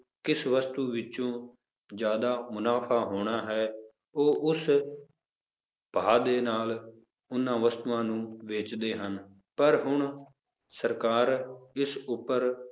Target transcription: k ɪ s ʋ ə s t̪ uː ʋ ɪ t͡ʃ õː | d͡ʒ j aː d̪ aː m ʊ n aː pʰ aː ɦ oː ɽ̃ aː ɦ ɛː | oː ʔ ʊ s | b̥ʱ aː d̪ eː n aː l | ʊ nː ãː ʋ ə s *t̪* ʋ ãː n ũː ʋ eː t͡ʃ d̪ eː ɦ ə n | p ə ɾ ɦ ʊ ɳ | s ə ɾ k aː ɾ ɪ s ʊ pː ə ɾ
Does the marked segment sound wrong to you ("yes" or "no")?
no